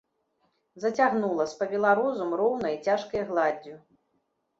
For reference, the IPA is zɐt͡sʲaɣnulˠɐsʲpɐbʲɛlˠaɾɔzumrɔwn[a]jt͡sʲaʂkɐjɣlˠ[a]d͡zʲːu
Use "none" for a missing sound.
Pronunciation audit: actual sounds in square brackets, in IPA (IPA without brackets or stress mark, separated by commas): ɐ, a